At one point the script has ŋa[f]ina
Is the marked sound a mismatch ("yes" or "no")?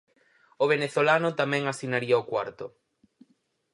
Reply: yes